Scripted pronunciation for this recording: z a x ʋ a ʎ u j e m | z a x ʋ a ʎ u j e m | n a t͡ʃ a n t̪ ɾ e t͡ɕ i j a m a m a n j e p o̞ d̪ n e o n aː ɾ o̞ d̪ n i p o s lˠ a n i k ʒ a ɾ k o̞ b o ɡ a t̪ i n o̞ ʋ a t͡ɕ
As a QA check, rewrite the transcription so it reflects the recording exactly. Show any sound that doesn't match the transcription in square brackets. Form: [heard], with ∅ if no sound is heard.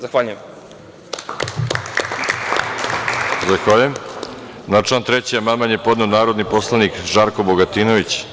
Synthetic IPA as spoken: z a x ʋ a ʎ u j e m | z a x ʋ a ʎ u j e m | n a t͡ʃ a n t̪ ɾ e t͡ɕ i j a m a m a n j e p o̞ d̪ n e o n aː ɾ o̞ d̪ n i p o s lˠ a n i k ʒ a ɾ k o̞ b o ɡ a t̪ i n o̞ ʋ [i] t͡ɕ